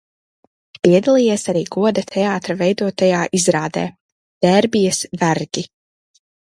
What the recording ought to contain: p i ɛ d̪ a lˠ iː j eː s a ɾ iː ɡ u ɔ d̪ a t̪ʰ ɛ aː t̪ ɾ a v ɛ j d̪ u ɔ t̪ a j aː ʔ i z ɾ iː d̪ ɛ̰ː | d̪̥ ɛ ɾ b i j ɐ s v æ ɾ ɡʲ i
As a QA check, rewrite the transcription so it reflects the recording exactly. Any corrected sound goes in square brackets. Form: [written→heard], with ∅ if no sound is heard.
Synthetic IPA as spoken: p i ɛ d̪ a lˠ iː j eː s a ɾ iː ɡ u ɔ d̪ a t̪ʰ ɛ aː t̪ ɾ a v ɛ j d̪ u ɔ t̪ a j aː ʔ i z ɾ [iː→aː] d̪ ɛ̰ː | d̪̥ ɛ ɾ b i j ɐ s v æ ɾ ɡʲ i